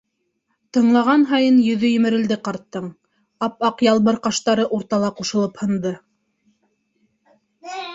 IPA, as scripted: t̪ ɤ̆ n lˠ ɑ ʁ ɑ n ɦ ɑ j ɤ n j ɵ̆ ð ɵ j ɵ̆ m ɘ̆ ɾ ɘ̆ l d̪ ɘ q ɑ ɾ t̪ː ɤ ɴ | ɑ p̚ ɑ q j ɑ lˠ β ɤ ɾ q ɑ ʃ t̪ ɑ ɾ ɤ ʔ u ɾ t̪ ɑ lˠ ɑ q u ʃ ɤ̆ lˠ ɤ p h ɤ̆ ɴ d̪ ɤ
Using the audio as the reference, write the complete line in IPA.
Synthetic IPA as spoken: t̪ ɤ̆ ɴ lˠ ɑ ʁ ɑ n ɦ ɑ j ɤ n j ɵ̆ ð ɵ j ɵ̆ m ɘ̆ ɾ ɘ̆ l d̪ ɘ q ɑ ɾ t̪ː ɤ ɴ | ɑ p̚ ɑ q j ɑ lˠ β ɤ ɾ q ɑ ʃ t̪ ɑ ɾ ɤ ʔ u ɾ t̪ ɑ lˠ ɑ q u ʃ ɤ̆ lˠ ɤ p h ɤ̆ n d̪ ɤ